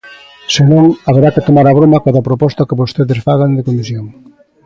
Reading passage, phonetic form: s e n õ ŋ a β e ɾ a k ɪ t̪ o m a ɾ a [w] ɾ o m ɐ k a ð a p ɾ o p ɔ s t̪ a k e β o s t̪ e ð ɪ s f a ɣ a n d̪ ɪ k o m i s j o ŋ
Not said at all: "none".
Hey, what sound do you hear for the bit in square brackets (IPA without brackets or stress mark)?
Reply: β